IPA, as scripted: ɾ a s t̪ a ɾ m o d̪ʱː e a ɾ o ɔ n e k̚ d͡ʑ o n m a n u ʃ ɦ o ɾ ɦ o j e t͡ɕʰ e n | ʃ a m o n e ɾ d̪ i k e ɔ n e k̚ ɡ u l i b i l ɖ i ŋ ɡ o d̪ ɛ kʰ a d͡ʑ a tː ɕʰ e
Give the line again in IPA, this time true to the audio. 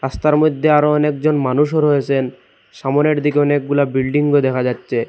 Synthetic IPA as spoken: ɾ a s t̪ a ɾ m o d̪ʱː e a ɾ o ɔ n e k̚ d͡ʑ o n m a n u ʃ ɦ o ɾ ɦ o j e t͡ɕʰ e n | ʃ a m o n e ɾ d̪ i k e ɔ n e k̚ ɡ u l a b i l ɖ i ŋ ɡ o d̪ ɛ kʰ a d͡ʑ a tː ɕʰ e

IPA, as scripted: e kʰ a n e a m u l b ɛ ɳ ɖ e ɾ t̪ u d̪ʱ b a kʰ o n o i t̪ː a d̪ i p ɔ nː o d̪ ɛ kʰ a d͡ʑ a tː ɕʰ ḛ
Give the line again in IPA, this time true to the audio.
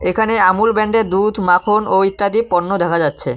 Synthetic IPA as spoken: e kʰ a n e a m u l b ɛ ɳ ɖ e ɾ d̪ u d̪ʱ m a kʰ o n o i t̪ː a d̪ i p ɔ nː o d̪ ɛ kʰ a d͡ʑ a tː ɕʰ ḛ

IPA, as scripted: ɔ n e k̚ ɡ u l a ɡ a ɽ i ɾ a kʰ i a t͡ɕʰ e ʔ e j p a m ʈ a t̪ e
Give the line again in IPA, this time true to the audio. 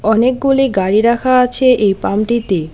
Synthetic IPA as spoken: ɔ n e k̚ ɡ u l i ɡ a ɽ i ɾ a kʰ a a t͡ɕʰ e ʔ e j p a m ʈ i t̪ e

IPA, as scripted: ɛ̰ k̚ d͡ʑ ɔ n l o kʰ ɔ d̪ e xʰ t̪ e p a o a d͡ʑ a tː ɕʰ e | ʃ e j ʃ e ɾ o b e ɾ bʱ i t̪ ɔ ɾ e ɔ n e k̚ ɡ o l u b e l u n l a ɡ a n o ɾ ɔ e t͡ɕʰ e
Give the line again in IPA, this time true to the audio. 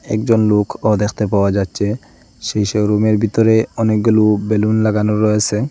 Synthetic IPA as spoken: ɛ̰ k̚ d͡ʑ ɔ n l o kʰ ɔ d̪ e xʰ t̪ e p a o a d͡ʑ a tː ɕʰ e | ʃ e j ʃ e ɾ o m e ɾ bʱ i t̪ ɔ ɾ e ɔ n e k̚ ɡ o l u b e l u n l a ɡ a n o ɾ ɔ e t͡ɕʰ e

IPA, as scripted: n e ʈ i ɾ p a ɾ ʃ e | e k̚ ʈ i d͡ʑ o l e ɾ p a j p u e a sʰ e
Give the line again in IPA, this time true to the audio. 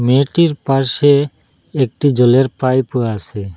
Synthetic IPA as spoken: m e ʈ i ɾ p a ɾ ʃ e | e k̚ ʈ i d͡ʑ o l e ɾ p a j p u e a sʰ e

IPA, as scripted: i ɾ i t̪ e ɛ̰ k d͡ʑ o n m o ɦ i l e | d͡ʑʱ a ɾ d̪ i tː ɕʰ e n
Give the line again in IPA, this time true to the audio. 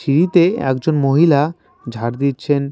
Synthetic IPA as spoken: i ɾ i t̪ e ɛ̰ k d͡ʑ o n m o ɦ i l a | d͡ʑʱ a ɾ d̪ i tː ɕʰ e n

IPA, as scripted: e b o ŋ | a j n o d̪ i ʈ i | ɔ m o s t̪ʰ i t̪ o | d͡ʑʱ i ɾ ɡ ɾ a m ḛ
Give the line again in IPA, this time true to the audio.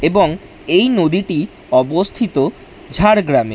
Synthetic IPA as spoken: e b o ŋ | e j n o d̪ i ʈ i | ɔ b o s t̪ʰ i t̪ o | d͡ʑʱ a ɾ ɡ ɾ a m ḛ

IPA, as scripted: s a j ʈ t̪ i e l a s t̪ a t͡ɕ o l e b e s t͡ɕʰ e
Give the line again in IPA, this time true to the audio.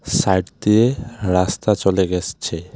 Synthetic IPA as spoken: s a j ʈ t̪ i e ɾ a s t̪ a t͡ɕ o l e ɡ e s t͡ɕʰ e

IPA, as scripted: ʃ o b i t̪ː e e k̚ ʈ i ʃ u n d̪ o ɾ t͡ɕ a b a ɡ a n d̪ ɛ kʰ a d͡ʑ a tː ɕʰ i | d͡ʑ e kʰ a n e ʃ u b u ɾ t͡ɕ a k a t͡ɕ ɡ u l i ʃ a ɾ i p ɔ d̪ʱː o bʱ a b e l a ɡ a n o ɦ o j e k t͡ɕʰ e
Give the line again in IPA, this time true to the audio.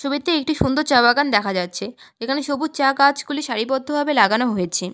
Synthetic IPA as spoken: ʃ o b i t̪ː e e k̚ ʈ i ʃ u n d̪ o ɾ t͡ɕ a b a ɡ a n d̪ ɛ kʰ a d͡ʑ a tː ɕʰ e | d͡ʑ e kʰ a n e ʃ o b u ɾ t͡ɕ a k a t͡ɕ ɡ u l i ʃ a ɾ i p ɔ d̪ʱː o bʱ a b e l a ɡ a n o ɦ o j e t͡ɕʰ e

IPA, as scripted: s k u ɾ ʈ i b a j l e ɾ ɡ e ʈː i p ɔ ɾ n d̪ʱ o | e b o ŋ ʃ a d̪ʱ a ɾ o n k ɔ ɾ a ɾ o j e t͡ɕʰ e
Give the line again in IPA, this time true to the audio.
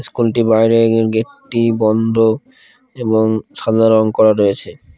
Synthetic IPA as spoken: s k u l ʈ i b a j ɾ e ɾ ɡ e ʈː i b ɔ n d̪ʱ o | e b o ŋ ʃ a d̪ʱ a ɾ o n k ɔ ɾ a ɾ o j e t͡ɕʰ e

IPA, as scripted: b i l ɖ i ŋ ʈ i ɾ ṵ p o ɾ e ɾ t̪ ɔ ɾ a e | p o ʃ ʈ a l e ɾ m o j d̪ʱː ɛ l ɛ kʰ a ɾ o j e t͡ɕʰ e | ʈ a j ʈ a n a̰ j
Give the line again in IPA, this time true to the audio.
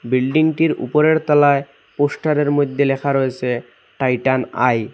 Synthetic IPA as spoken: b i l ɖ i ŋ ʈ i ɾ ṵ p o ɾ e ɾ t̪ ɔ l a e | p o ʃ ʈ a ɾ e ɾ m o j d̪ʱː e l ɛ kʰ a ɾ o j e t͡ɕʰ e | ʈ a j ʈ a n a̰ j

